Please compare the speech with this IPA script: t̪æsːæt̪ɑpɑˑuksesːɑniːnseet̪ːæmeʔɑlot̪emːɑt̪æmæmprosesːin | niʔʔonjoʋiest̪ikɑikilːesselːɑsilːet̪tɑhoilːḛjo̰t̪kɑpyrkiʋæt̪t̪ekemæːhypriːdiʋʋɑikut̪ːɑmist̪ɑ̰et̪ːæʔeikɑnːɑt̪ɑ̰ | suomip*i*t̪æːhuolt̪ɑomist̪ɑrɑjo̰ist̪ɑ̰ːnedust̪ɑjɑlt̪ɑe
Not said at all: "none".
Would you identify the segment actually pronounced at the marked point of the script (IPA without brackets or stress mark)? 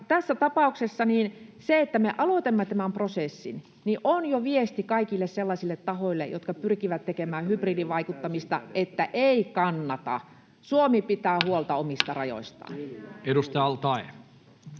i